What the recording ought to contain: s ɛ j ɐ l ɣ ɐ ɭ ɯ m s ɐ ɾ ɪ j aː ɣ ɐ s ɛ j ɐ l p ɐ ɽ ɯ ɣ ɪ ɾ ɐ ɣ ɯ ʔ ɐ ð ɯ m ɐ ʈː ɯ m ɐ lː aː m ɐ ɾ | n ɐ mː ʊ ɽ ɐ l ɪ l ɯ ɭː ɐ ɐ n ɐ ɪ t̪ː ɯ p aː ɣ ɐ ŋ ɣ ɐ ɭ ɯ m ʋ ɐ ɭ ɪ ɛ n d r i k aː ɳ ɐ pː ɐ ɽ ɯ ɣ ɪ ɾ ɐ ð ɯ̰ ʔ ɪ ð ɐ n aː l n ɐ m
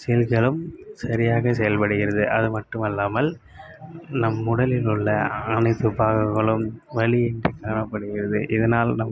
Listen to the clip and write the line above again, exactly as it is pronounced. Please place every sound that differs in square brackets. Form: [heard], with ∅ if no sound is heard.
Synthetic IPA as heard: s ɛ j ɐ l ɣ ɐ ɭ ɯ m s ɐ ɾ ɪ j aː ɣ ɐ s ɛ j ɐ l p ɐ ɽ ɯ ɣ ɪ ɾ ɐ [ð] ɯ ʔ ɐ ð ɯ m ɐ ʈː ɯ m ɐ lː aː m ɐ [l] | n ɐ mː ʊ ɽ ɐ l ɪ l ɯ ɭː ɐ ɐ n ɐ ɪ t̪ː ɯ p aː ɣ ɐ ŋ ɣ ɐ ɭ ɯ m ʋ ɐ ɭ ɪ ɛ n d r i k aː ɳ ɐ pː ɐ ɽ ɯ ɣ ɪ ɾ ɐ ð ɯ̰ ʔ ɪ ð ɐ n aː l n ɐ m

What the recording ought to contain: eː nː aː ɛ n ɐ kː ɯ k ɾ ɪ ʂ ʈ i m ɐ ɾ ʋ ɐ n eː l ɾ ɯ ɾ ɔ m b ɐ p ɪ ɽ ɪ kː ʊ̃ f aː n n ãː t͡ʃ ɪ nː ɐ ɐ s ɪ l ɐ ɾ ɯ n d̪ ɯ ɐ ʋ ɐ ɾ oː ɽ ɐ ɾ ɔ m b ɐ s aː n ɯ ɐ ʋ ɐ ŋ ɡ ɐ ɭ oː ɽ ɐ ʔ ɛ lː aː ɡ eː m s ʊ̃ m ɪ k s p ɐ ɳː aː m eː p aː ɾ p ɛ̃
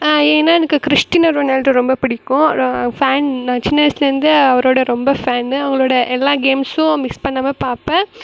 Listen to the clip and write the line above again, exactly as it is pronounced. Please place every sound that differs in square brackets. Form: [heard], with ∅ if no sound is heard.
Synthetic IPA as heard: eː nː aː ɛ n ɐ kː ɯ k ɾ ɪ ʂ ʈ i [n] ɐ ɾ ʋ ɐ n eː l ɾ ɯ ɾ ɔ m b ɐ p ɪ ɽ ɪ kː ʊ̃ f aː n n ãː t͡ʃ ɪ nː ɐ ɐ s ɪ l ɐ ɾ ɯ n d̪ ɯ ɐ ʋ ɐ ɾ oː ɽ ɐ ɾ ɔ m b ɐ [f] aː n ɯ ɐ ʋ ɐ ŋ ɡ ɐ ɭ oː ɽ ɐ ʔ ɛ lː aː ɡ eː m s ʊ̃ m ɪ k s p ɐ ɳː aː m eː p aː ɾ p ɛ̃

